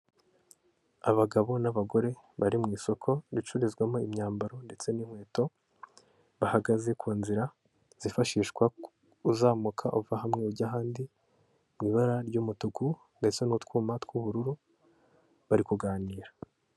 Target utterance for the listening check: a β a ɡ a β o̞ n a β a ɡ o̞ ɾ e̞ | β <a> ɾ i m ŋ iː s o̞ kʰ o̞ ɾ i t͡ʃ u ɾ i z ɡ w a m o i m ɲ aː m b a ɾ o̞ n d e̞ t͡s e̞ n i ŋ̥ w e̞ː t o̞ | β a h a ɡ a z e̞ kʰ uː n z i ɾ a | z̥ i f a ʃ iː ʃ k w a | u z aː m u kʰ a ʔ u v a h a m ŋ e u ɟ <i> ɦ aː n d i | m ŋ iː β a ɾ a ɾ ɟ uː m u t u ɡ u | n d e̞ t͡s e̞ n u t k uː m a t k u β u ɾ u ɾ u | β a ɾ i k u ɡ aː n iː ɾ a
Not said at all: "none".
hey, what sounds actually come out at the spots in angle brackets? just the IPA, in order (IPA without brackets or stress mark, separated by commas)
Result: a, a